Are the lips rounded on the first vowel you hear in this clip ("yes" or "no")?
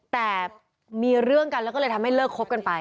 no